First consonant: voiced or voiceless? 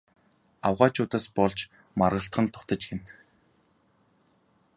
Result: voiced